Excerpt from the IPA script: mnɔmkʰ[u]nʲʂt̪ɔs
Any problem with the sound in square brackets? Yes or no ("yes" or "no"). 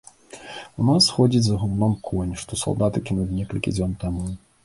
yes